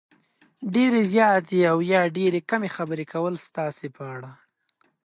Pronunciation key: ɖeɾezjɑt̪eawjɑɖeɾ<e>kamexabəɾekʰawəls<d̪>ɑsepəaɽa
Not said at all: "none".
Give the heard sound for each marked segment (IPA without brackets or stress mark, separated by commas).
e, t̪